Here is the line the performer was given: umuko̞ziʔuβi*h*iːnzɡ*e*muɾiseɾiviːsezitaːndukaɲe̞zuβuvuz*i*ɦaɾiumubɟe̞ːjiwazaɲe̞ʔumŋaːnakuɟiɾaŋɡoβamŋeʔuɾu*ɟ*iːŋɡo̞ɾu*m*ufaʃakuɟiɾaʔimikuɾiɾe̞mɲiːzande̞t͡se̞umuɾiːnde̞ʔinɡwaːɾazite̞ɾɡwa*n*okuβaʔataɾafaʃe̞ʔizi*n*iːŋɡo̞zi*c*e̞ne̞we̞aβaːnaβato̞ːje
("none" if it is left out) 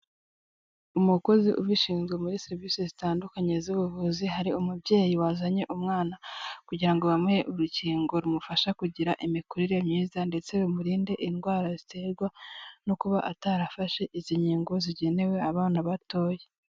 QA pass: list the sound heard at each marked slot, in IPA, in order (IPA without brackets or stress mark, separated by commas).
ʃ, e, i, c, m, n, ɲ, ɟ